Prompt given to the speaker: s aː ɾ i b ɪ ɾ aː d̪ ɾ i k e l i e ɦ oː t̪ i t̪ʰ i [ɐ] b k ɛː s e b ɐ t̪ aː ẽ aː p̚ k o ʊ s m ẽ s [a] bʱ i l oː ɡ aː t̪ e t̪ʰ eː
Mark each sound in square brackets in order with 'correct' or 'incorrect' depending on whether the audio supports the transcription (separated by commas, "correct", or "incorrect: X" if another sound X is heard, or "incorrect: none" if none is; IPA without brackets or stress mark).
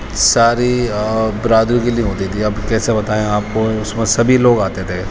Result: correct, incorrect: ɐ